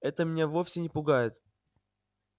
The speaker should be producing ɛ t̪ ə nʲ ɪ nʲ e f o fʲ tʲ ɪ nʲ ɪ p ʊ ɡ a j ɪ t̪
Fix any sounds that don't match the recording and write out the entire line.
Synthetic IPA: ɛ t̪ ə mʲ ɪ nʲ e v o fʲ sʲ ɪ nʲ ɪ p ʊ ɡ a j ɪ t̪